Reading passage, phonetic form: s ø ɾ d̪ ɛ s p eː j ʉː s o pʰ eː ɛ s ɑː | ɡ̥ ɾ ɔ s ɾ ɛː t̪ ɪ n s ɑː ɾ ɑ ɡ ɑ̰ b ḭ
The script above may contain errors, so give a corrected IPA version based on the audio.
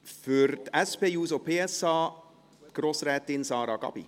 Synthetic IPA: f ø ɾ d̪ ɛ s p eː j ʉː s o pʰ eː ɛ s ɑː | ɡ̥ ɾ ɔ s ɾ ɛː t̪ ɪ n s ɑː ɾ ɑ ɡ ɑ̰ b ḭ